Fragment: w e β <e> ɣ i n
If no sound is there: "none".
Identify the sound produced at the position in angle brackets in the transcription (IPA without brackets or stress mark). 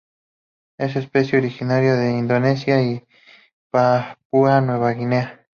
a